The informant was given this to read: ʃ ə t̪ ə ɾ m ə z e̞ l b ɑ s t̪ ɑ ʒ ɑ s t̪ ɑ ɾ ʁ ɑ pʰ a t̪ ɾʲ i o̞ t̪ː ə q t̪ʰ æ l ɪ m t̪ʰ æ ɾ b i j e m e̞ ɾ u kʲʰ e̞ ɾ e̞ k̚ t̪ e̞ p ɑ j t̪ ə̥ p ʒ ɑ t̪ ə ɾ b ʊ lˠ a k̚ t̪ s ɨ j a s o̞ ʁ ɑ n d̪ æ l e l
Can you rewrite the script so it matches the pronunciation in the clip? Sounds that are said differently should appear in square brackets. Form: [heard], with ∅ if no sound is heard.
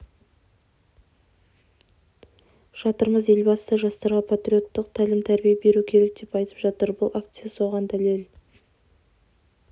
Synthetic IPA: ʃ [ɑ] t̪ ə ɾ m ə z e̞ l b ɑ s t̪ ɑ ʒ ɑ s t̪ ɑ ɾ ʁ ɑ pʰ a t̪ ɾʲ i o̞ t̪ː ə q t̪ʰ æ l ɪ m t̪ʰ æ ɾ b i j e [b] e̞ ɾ u kʲʰ e̞ ɾ e̞ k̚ [d̪] e̞ p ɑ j t̪ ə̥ p ʒ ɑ t̪ ə ɾ b ʊ lˠ a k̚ t̪ s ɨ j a s o̞ ʁ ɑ n d̪ æ l e l

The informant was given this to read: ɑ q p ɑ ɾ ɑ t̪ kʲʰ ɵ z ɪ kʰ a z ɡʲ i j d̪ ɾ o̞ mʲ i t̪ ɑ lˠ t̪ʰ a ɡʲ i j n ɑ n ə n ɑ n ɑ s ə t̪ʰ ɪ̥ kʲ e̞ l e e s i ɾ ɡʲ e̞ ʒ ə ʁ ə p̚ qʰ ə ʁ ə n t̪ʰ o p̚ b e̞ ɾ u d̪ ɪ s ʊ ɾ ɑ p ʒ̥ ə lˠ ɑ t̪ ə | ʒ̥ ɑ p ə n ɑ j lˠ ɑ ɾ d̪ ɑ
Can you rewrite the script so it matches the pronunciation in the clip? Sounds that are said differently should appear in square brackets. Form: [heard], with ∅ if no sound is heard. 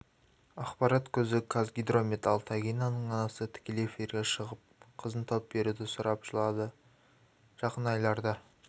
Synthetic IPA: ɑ q p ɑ ɾ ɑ t̪ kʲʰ ɵ z ɪ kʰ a z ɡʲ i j d̪ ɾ o̞ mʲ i t̪ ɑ lˠ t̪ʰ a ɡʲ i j n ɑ n ə [ɴ] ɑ n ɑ s ə t̪ʰ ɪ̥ kʲ e̞ l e e [f] i ɾ ɡʲ e̞ [ʃ] ə ʁ ə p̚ qʰ ə [z] ə n t̪ʰ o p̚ b e̞ ɾ u d̪ ɪ s ʊ ɾ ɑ p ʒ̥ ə lˠ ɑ [d̪] ə | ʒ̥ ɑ [q] ə n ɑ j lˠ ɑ ɾ d̪ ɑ

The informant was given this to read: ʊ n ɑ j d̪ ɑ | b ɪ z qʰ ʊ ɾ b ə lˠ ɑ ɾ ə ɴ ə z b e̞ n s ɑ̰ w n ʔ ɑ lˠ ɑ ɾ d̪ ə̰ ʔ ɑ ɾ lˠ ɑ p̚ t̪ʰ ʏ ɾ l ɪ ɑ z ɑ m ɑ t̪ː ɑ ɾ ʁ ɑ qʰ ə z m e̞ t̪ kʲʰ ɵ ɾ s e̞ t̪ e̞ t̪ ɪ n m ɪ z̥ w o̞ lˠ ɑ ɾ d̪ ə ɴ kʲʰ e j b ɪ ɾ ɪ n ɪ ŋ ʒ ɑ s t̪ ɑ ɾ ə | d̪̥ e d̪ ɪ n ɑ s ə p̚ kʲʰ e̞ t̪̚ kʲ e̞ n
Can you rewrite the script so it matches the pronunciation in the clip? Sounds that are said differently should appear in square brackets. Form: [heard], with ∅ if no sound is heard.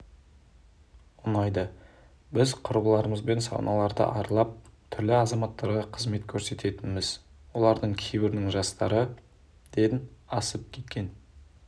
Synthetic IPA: ʊ n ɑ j d̪ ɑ | b ɪ z qʰ ʊ ɾ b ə lˠ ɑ ɾ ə [m] ə z b e̞ n s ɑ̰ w n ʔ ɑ lˠ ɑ ɾ d̪ ə̰ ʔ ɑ ɾ lˠ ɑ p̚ t̪ʰ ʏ ɾ l ɪ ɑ z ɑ m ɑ t̪ː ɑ ɾ ʁ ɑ qʰ ə z m e̞ t̪ kʲʰ ɵ ɾ s e̞ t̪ e̞ t̪ ɪ n m ɪ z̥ w o̞ lˠ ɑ ɾ d̪ ə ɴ kʲʰ e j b ɪ ɾ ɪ n ɪ ŋ ʒ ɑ s t̪ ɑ ɾ ə | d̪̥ e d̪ ɪ n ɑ s ə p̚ kʲʰ e̞ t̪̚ kʲ e̞ n

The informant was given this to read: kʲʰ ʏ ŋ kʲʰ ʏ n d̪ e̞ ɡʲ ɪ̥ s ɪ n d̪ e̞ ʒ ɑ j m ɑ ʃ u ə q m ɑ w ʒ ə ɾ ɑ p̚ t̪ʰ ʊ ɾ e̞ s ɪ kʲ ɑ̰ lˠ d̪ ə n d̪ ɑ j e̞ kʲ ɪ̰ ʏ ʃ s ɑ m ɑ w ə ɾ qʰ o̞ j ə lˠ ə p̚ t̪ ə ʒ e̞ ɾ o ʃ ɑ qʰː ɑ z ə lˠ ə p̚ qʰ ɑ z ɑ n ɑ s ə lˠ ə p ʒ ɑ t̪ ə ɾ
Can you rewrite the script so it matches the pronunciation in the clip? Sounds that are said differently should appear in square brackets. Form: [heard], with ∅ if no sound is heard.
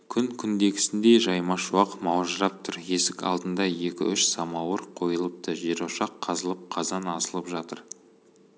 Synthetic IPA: kʲʰ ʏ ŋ kʲʰ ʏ n d̪ e̞ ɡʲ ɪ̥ s ɪ n d̪ e̞ ʒ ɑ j m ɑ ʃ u [ɑ] q m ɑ w ʒ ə ɾ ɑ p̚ t̪ʰ ʊ ɾ e̞ s ɪ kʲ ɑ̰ lˠ d̪ ə n d̪ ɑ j e̞ kʲ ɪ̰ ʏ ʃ s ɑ m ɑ w ə ɾ qʰ o̞ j ə lˠ ə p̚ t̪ ə ʒ e̞ ɾ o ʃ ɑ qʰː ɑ z ə lˠ ə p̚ qʰ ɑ z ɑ n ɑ s ə lˠ ə p ʒ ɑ t̪ ə ɾ

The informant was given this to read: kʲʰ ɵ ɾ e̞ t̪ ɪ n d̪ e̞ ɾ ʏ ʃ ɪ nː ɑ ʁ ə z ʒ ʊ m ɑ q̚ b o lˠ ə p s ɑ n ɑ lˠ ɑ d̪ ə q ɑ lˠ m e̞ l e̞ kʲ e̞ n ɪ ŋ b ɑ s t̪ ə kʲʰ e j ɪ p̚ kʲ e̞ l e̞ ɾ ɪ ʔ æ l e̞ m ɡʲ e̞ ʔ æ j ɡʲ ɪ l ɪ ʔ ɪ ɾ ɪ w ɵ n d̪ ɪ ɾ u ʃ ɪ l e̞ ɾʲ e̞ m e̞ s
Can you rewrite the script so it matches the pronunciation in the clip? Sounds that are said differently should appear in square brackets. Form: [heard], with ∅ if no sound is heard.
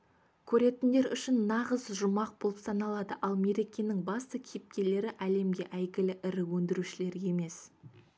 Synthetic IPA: kʲʰ ɵ ɾ e̞ t̪ ɪ n d̪ e̞ ɾ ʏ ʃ ɪ nː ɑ ʁ ə z ʒ ʊ m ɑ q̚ b o lˠ ə p s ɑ n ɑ lˠ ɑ d̪ ə [ʔ] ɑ lˠ m e̞ [ɾ] e̞ kʲ e̞ n ɪ ŋ b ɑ s t̪ ə kʲʰ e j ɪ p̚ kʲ e̞ l e̞ ɾ ɪ ʔ æ l e̞ m ɡʲ e̞ ʔ æ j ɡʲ ɪ l ɪ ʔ ɪ ɾ ɪ w ɵ n d̪ ɪ ɾ u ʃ ɪ l e̞ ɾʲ e̞ m e̞ s

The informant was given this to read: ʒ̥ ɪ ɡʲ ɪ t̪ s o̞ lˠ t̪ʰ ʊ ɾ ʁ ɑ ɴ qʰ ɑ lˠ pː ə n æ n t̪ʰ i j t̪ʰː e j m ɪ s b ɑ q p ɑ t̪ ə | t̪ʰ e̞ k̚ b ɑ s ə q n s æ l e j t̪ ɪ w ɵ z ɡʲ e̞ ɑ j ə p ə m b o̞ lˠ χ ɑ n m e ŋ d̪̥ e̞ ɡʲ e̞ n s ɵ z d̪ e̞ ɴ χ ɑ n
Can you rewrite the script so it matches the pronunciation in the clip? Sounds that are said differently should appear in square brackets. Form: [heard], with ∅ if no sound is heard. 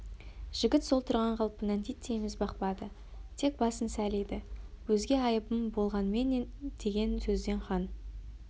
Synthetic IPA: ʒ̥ ɪ ɡʲ ɪ t̪ s o̞ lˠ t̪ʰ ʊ ɾ ʁ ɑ ɴ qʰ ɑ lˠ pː ə n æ n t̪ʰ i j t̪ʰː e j m ɪ [z] b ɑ q p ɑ [d̪] ə | t̪ʰ e̞ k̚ b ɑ s ə [∅] n s æ l e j [d̪] ɪ w ɵ z ɡʲ e̞ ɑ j ə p ə m b o̞ lˠ [ʁ] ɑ n m e [n] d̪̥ e̞ ɡʲ e̞ n s ɵ z d̪ e̞ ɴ χ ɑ n

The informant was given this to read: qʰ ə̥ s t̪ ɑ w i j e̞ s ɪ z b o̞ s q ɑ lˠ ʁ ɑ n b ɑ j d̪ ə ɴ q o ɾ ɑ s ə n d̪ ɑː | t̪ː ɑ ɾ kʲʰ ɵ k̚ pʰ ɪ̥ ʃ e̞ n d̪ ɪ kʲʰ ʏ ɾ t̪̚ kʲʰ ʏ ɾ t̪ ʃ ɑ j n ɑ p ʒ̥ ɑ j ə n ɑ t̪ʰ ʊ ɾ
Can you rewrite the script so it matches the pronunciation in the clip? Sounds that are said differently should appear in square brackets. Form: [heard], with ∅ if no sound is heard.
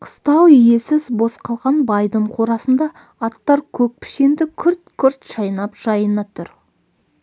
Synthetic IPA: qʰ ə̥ s t̪ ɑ w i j e̞ s ɪ z b o̞ s q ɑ lˠ ʁ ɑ n b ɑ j d̪ ə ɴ [qʰ] o ɾ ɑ s ə n d̪ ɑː | t̪ː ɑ ɾ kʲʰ ɵ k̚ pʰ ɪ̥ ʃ e̞ n d̪ ɪ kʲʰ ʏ ɾ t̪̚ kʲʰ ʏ ɾ t̪ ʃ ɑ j n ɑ p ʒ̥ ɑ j ə n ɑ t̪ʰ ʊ ɾ

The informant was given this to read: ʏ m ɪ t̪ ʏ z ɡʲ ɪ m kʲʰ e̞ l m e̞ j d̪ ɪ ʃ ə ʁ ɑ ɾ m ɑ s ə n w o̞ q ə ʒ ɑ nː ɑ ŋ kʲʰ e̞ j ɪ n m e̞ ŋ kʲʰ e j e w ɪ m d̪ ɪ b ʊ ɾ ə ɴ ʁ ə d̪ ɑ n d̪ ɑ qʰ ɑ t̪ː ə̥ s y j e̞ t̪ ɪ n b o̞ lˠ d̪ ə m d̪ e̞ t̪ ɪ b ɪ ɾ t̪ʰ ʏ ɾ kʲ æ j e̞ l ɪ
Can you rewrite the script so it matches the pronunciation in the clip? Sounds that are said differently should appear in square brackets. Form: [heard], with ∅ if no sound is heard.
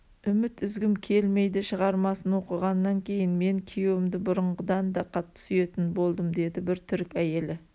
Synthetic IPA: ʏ m ɪ t̪ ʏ z ɡʲ ɪ m kʲʰ e̞ l m e̞ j d̪ ɪ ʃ ə ʁ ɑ ɾ m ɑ s ə n w o̞ q ə [ʁ] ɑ nː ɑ ŋ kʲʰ e̞ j ɪ n m e̞ ŋ kʲʰ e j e w ɪ m d̪ ɪ b ʊ ɾ ə ɴ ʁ ə d̪ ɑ n d̪ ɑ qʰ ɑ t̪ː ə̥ s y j e̞ t̪ ɪ n b o̞ lˠ d̪ ə m d̪ e̞ [d̪] ɪ b ɪ ɾ t̪ʰ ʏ ɾ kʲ æ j e̞ l ɪ

